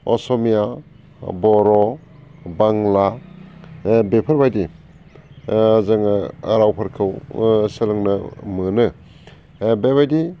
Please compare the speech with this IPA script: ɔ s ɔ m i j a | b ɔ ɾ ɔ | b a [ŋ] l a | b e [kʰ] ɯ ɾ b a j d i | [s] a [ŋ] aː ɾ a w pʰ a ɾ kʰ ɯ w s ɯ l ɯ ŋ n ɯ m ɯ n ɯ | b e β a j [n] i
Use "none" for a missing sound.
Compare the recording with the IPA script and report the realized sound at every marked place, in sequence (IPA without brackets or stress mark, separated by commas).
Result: ŋ, pʰ, z, ŋ, d